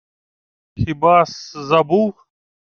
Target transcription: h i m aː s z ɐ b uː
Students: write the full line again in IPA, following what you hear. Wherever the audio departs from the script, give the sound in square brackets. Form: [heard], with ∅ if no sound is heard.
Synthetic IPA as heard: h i [b] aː s z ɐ b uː